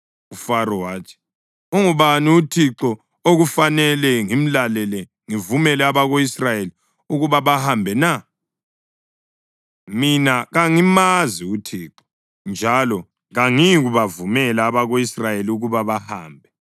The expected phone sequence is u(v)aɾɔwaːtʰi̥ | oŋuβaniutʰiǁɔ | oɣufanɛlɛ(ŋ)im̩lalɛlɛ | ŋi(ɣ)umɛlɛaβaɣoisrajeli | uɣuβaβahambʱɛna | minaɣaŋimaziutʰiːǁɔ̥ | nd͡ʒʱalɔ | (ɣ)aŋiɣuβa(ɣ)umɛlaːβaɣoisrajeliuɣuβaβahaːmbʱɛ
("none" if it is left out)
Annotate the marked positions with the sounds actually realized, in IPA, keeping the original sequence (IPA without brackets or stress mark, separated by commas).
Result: f, ŋ, v, ɣ, v